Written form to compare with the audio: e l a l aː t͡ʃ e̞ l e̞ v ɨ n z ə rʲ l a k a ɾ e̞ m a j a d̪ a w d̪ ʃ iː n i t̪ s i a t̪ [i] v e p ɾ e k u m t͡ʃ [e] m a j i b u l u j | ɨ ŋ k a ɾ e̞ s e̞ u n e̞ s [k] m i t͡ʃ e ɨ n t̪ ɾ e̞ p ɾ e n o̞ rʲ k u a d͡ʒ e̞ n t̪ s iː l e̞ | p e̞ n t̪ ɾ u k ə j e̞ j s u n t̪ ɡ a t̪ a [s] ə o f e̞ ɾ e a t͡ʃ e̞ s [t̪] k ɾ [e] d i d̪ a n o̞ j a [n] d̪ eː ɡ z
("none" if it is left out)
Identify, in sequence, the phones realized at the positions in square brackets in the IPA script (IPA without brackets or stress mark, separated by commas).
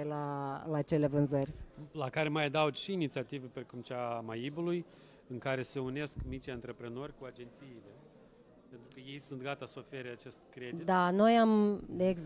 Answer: i, a, k, s, t̪, e, m